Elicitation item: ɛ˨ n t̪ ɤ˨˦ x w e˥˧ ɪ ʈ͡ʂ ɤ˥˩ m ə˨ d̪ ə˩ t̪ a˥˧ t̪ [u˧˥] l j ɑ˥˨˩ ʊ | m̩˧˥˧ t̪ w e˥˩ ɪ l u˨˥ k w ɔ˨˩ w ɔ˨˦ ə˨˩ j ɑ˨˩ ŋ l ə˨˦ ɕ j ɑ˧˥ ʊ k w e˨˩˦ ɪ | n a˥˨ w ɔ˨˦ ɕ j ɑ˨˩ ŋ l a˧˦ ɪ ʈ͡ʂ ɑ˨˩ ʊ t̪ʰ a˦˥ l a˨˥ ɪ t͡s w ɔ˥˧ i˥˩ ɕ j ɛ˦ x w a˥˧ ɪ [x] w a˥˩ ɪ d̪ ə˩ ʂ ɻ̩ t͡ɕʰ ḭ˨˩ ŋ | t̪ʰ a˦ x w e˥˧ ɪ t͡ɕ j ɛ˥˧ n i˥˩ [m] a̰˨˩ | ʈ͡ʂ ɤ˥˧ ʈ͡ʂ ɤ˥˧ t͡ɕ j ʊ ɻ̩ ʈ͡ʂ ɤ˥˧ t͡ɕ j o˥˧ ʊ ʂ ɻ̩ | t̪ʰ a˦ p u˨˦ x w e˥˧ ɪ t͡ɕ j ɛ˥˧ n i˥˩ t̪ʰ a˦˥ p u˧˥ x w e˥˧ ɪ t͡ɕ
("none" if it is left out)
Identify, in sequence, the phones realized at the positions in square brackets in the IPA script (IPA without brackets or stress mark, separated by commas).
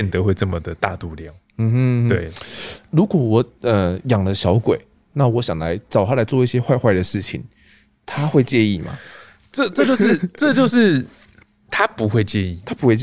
u˥˧, x, m